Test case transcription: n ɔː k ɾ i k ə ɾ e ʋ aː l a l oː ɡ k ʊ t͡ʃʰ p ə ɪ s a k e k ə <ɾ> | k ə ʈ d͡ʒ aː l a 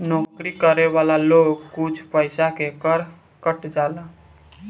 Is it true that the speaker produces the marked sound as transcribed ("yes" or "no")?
yes